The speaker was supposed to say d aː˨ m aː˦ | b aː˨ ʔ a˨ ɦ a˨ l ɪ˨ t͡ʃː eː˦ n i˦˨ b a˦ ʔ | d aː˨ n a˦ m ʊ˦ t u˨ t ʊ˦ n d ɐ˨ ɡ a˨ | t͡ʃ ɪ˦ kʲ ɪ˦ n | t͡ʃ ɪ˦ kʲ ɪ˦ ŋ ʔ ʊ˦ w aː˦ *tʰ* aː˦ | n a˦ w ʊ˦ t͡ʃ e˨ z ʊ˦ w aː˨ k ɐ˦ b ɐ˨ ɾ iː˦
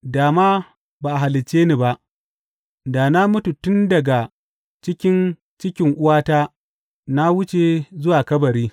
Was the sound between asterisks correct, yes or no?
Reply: no